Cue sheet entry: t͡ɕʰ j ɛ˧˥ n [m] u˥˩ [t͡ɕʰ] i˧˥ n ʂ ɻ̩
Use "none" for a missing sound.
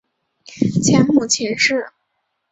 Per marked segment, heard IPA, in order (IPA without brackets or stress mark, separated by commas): m, t͡ɕʰ